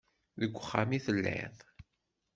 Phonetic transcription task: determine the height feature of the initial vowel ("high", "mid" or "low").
mid